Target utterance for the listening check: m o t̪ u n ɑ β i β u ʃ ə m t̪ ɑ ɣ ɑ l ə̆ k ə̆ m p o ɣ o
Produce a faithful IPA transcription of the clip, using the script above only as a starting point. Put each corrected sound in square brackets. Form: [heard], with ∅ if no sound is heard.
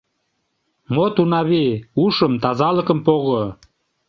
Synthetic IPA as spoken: m o t̪ u n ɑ β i [∅] u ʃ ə m t̪ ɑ [z] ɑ l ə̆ k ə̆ m p o ɣ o